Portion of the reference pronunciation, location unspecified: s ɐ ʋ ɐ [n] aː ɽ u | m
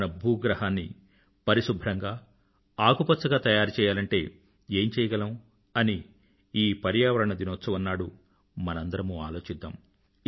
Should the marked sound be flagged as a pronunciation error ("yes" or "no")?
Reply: yes